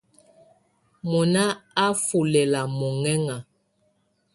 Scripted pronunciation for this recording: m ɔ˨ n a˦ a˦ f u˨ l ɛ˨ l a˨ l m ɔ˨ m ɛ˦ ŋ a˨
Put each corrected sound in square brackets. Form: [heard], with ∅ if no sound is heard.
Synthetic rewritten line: m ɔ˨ n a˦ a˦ f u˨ l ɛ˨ l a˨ [∅] m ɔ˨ [ŋ] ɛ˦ ŋ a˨